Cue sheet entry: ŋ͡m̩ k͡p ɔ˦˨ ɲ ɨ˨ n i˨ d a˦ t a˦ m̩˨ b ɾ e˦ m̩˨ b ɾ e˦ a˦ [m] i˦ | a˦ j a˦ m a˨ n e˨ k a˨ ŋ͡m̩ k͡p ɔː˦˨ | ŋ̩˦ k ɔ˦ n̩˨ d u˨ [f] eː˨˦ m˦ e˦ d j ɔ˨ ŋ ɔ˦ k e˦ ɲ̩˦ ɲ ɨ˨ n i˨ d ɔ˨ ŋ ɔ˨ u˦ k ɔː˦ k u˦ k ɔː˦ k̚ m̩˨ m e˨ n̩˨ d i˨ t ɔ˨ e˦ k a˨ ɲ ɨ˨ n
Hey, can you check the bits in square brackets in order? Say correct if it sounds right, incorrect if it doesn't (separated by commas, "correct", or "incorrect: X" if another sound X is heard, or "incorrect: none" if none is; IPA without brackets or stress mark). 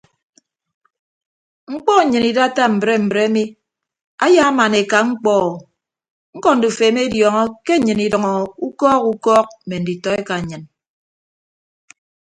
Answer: correct, correct